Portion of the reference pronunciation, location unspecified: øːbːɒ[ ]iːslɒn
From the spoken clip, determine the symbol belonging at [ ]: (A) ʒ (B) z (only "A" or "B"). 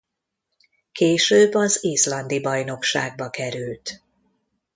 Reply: B